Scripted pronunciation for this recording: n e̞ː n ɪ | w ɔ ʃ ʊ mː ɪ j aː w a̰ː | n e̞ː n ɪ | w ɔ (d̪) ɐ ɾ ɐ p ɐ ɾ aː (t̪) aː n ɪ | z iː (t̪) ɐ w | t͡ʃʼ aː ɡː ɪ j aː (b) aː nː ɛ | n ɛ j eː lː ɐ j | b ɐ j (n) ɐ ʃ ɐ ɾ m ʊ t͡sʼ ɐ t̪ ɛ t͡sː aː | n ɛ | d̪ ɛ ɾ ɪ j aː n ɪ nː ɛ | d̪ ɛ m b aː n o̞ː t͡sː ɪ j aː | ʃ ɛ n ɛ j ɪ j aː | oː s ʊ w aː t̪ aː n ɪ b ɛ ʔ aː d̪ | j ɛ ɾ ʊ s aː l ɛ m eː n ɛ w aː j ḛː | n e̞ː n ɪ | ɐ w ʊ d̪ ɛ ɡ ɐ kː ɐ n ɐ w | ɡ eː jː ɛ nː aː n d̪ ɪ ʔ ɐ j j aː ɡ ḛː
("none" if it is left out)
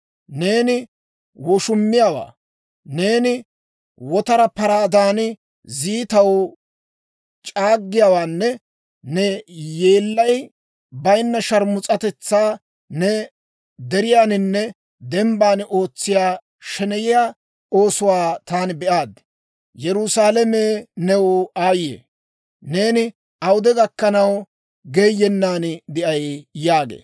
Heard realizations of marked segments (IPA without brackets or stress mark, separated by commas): t̪, d̪, t̪, w, nː